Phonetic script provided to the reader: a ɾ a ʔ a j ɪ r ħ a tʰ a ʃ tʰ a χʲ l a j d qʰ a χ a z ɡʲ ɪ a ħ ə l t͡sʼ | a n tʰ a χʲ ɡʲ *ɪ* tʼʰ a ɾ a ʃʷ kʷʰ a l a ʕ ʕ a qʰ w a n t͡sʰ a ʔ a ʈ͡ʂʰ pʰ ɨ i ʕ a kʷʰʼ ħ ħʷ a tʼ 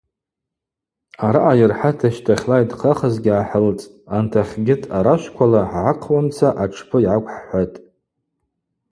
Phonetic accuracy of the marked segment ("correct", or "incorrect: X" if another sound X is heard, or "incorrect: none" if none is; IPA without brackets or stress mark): correct